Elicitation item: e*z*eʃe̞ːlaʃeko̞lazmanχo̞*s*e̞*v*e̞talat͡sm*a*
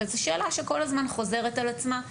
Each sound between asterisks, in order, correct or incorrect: correct, incorrect: z, incorrect: ʁ, correct

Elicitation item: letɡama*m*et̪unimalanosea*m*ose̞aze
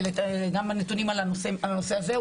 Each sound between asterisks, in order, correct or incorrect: incorrect: n, incorrect: n

